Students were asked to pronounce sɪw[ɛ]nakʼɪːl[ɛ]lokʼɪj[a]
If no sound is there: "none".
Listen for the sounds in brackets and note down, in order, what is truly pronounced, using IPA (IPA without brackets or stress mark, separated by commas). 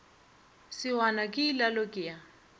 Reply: a, a, a